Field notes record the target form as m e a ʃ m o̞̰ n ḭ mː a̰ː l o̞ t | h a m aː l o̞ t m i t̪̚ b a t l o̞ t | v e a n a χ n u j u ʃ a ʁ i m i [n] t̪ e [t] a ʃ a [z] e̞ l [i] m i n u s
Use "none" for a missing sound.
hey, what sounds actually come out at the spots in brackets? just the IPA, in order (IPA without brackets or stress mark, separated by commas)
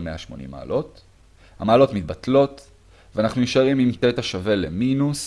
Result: m, t, v, e